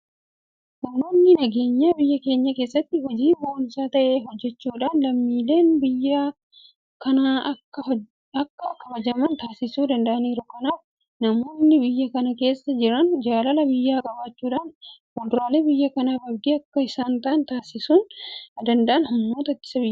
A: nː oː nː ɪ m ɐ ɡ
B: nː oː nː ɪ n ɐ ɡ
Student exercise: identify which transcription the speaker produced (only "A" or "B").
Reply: B